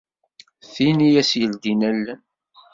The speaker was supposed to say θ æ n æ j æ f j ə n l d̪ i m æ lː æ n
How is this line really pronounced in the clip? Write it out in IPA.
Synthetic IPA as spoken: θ i n i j æ s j ə l d̪ i n æ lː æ n

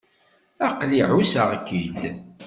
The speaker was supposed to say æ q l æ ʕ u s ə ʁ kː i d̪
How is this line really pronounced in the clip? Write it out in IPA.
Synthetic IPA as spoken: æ q l i ʕ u s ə ʁ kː i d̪

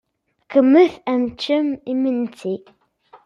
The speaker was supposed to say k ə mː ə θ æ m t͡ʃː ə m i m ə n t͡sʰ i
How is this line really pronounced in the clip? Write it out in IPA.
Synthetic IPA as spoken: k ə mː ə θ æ m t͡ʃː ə m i m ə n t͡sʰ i

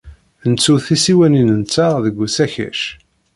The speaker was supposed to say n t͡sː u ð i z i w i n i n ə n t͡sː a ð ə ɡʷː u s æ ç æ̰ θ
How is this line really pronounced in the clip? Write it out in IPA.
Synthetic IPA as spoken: n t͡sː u θ i s i w æ n i n ə n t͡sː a ð ə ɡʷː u s æ ç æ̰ ʃ

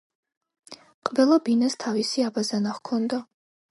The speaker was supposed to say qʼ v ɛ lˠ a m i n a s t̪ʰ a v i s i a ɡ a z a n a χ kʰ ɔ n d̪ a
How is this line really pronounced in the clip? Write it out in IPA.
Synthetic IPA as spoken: qʼ v ɛ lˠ a b i n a s t̪ʰ a v i s i a b a z a n a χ kʰ ɔ n d̪ a

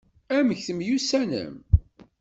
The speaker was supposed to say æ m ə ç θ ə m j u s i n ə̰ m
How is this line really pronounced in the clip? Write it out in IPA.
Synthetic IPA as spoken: æ m ə ç θ ə m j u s æ n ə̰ m

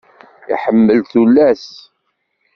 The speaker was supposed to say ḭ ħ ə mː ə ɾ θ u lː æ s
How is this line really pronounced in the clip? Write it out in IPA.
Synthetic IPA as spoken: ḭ ħ ə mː ə l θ u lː æ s

